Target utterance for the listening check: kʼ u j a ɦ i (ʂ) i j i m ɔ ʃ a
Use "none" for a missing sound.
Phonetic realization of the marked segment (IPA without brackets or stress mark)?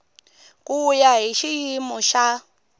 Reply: ʃ